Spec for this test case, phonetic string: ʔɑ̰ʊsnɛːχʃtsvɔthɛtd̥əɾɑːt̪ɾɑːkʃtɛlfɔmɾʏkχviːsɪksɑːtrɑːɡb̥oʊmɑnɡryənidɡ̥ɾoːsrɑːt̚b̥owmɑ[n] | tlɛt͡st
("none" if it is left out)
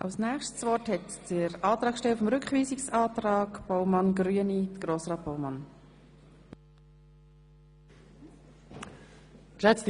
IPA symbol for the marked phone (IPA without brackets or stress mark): n